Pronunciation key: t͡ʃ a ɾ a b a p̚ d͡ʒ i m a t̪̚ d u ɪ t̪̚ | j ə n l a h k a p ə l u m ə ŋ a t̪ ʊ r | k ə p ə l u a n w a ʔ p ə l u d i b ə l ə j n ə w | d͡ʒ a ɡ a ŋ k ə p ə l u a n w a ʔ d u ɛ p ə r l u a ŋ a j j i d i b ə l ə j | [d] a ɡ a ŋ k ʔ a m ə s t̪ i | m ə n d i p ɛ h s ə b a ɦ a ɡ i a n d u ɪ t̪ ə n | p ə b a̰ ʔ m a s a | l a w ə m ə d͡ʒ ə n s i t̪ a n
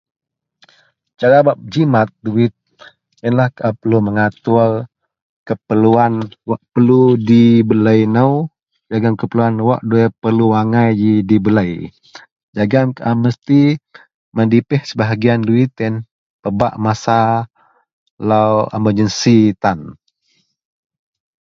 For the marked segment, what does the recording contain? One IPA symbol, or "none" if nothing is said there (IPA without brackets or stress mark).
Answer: d͡ʒ